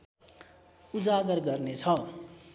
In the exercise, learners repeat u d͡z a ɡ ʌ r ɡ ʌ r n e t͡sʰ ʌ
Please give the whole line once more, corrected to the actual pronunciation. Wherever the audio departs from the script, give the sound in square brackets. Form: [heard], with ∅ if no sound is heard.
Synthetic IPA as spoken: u d͡z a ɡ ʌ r ɡ ʌ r n e t͡sʰ ʌ